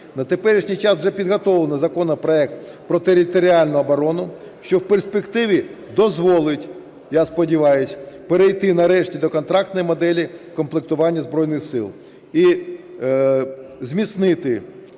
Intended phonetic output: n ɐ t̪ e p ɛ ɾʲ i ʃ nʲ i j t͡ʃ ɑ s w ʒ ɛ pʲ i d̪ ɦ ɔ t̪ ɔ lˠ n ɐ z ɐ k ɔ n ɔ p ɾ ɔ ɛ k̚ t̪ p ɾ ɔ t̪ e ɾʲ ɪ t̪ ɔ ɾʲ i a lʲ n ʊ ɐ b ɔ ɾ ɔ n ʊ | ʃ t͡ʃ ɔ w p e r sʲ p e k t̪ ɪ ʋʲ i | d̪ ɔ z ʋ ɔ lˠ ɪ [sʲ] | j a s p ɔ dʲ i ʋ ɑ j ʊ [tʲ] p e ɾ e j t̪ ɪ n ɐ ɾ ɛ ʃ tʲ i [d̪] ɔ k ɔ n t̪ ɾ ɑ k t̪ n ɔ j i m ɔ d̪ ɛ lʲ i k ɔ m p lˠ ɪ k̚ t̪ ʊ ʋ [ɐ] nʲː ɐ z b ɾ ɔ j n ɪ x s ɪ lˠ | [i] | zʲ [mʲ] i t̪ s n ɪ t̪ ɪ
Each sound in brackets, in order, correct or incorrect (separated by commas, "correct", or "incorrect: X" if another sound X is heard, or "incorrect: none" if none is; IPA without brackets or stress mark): incorrect: tʲ, incorrect: sʲ, correct, incorrect: ɑ, correct, correct